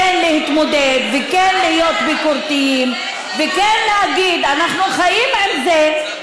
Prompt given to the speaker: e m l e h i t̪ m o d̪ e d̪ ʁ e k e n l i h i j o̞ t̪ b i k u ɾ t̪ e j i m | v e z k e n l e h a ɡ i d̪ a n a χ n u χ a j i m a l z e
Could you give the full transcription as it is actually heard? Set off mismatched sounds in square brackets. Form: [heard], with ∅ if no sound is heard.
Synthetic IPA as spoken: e [n] l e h i t̪ m o d̪ e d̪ [v] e k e n l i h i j o̞ t̪ b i k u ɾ t̪ [i] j i m | v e [∅] k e n l e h a ɡ i d̪ a n a χ n u χ a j i m a l z e